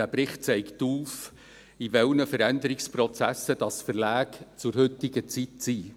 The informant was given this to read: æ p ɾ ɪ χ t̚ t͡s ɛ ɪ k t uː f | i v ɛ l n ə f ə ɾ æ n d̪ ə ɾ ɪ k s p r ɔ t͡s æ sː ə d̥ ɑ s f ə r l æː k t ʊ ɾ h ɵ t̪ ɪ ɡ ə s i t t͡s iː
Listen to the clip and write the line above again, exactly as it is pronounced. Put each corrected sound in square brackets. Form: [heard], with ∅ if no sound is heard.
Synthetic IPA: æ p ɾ ɪ χ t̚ t͡s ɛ ɪ k t uː f | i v ɛ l n ə f ə ɾ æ n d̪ ə ɾ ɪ k s p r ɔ t͡s æ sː ə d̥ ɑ s f ə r l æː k [t͡s] ʊ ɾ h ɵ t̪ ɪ ɡ ə [t͡s] i t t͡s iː